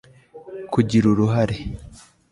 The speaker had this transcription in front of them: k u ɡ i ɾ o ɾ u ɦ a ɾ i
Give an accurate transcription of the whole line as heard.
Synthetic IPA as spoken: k u ɟ i ɾ u ɾ u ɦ a ɾ e